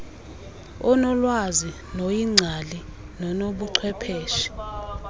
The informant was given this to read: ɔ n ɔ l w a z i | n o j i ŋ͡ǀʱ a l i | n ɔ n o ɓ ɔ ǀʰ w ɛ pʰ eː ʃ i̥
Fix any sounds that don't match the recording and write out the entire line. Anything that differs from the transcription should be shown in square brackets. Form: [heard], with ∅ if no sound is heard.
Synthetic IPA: ɔ n ɔ l w a z i | n o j i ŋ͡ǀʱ a l i | n ɔ n o ɓ [u] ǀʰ w ɛ pʰ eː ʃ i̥